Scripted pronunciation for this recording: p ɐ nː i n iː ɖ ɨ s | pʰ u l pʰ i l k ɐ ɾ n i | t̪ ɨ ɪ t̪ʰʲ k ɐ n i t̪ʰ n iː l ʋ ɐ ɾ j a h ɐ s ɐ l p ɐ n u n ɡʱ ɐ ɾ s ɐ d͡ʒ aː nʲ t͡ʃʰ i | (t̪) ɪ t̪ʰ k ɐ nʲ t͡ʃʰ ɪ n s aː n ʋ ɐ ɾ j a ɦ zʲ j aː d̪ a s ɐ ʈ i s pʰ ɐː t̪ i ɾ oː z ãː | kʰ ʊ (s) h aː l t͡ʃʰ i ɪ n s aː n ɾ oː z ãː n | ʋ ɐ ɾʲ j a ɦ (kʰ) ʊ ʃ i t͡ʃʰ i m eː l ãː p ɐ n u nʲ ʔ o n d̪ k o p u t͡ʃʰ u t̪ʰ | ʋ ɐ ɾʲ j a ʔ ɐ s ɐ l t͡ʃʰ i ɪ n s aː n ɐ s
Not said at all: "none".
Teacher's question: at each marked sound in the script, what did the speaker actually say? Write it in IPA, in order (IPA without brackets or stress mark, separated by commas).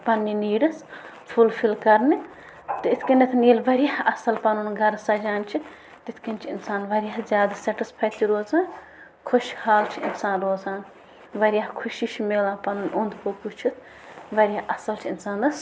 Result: t̪, ʃ, kʰ